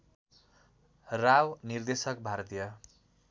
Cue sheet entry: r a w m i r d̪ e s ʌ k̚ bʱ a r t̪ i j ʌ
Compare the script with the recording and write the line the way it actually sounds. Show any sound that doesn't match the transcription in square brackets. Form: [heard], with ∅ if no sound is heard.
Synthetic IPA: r a w [n] i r d̪ e s ʌ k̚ bʱ a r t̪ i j ʌ